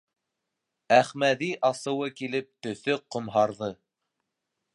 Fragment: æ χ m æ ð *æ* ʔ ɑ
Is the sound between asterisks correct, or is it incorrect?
incorrect